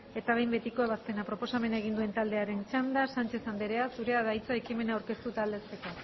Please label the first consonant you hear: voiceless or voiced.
voiceless